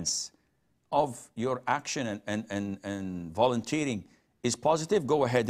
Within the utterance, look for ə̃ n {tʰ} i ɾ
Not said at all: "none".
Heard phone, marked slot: tʰ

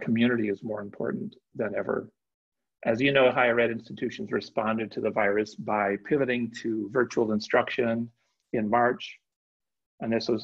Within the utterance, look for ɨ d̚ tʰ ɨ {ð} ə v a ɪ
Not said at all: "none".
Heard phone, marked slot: ð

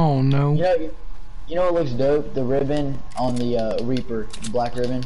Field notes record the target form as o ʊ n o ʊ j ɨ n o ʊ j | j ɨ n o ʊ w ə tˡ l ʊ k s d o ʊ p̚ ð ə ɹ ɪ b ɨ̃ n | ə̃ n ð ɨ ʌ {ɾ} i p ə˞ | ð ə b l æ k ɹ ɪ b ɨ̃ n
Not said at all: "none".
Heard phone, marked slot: ɹ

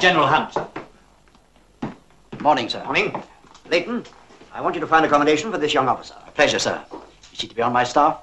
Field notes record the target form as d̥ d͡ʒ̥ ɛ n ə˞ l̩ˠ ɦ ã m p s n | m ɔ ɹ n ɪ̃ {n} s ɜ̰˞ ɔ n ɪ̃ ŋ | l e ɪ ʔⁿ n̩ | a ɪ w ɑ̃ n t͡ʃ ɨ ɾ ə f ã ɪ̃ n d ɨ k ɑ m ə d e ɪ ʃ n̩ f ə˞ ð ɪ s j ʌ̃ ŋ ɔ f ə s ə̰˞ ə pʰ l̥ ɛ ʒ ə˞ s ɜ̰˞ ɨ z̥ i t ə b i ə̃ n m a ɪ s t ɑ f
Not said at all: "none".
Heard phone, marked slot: ŋ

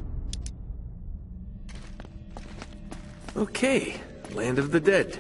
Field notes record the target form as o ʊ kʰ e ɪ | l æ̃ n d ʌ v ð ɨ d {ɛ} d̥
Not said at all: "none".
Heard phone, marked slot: ɛ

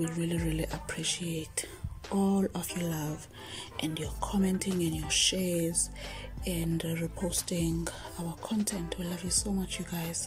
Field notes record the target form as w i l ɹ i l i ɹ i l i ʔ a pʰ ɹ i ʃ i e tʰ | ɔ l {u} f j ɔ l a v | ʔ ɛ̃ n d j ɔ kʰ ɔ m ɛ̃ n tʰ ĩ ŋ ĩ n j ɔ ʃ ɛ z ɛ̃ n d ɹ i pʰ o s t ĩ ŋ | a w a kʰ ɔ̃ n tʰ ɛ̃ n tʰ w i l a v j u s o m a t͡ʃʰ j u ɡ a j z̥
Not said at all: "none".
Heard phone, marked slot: ɔ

